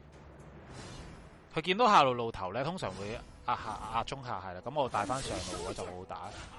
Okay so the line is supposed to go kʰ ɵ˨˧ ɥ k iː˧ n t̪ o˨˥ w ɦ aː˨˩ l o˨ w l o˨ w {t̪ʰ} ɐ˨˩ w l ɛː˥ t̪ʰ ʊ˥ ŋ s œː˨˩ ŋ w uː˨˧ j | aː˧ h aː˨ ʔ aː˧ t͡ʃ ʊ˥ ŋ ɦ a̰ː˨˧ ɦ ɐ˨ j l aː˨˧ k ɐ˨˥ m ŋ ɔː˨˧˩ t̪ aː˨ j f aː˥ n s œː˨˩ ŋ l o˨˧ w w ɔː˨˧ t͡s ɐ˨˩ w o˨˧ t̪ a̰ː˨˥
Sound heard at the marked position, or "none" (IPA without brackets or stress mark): t̪ʰ